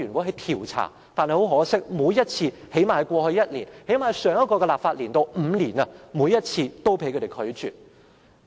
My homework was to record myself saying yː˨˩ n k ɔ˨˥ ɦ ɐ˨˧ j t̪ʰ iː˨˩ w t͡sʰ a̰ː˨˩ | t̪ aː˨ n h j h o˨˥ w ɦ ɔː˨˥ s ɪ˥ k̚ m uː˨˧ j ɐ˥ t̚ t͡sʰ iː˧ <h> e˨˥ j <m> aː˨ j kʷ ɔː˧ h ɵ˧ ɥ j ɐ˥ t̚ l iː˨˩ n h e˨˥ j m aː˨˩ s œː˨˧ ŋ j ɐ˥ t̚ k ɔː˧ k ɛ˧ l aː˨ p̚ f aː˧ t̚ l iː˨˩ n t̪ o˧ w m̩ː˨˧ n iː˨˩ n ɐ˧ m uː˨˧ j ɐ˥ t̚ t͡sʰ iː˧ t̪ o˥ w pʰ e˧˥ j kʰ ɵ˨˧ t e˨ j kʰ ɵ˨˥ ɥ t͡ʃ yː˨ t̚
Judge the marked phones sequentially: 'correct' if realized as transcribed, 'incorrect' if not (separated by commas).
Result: correct, correct